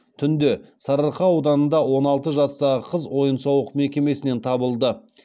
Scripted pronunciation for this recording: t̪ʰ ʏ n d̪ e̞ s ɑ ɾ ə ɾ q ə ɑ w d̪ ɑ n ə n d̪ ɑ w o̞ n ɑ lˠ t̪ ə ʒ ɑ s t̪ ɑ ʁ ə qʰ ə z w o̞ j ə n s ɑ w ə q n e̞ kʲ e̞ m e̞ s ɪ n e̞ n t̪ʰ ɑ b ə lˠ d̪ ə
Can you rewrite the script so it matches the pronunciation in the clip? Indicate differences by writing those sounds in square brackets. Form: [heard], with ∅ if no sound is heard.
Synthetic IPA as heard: t̪ʰ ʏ n d̪ e̞ s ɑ ɾ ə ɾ q [ɑ] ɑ w d̪ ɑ n ə n d̪ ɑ w o̞ n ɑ lˠ t̪ ə ʒ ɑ s t̪ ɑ ʁ ə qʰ ə z w o̞ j ə n s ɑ w ə q [m] e̞ kʲ e̞ m e̞ s ɪ n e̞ n t̪ʰ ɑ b ə lˠ d̪ ə